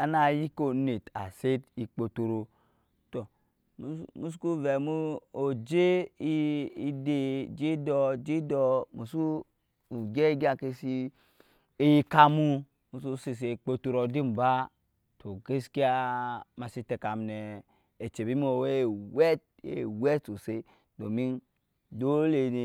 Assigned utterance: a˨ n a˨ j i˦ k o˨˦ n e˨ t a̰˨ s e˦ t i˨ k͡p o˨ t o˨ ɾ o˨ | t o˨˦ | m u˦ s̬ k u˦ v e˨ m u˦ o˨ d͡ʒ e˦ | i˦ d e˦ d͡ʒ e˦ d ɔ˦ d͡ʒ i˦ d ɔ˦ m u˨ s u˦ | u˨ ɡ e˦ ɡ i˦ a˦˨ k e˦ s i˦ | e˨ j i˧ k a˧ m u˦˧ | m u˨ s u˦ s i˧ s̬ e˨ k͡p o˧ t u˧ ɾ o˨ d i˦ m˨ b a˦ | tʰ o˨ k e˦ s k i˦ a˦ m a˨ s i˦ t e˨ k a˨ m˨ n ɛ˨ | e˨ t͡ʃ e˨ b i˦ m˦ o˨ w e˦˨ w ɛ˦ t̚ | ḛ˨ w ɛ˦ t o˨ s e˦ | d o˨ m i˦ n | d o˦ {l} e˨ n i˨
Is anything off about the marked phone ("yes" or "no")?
no